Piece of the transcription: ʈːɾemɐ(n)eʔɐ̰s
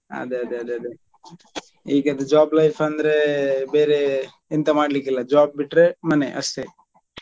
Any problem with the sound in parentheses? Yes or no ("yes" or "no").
no